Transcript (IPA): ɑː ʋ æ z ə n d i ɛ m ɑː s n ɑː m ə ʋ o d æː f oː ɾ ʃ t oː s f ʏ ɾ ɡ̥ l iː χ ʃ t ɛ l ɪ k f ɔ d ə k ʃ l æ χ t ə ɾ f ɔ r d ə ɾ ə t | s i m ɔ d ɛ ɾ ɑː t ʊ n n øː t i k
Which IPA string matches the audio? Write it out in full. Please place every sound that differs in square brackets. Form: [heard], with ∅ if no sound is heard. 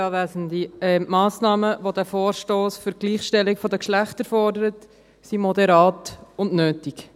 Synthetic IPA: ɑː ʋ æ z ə n d i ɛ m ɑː s n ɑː m ə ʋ o d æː f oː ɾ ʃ t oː s f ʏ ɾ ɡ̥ l iː χ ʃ t ɛ l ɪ k f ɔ d ə k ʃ l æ χ t ə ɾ f ɔ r d ə ɾ ə t | s i m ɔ d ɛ ɾ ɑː t ʊ n n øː t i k